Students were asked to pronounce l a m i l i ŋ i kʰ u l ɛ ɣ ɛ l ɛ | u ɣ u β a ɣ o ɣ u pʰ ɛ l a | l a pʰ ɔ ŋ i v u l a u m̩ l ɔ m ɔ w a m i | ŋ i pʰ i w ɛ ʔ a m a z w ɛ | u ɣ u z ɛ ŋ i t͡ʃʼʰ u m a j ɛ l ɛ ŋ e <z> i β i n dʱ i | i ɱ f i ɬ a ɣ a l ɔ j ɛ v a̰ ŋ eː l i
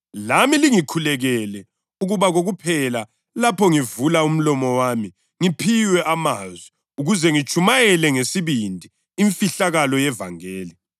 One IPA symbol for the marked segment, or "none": s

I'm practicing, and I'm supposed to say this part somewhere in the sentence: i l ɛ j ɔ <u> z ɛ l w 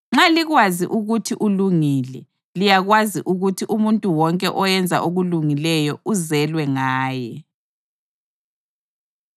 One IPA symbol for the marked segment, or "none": u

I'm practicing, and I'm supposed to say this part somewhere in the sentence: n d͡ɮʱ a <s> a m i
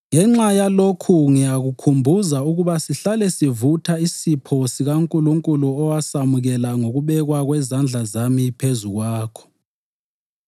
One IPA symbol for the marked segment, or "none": z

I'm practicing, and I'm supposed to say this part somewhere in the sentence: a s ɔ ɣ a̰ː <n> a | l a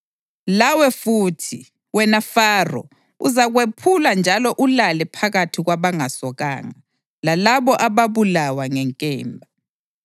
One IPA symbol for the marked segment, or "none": ŋ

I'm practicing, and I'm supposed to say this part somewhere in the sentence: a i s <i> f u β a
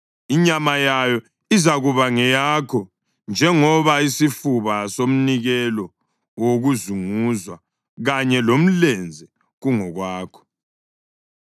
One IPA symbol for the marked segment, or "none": i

